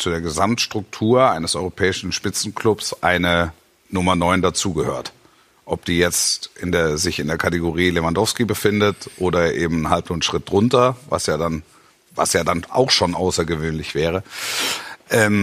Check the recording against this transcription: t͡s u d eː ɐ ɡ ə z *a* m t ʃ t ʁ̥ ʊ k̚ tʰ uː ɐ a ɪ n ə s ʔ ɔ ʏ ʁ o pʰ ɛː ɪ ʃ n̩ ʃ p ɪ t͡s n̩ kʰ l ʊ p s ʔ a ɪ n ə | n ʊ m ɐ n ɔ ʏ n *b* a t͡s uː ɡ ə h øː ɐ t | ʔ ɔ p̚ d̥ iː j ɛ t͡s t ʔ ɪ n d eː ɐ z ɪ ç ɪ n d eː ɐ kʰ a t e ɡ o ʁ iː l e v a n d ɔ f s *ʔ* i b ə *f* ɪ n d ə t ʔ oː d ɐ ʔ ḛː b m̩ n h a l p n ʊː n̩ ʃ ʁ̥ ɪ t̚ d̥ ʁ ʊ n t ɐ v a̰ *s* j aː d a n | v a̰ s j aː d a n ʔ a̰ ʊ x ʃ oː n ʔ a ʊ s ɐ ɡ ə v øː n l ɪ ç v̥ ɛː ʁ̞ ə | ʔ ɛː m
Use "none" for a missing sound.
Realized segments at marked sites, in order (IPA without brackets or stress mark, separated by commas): a, d, k, f, s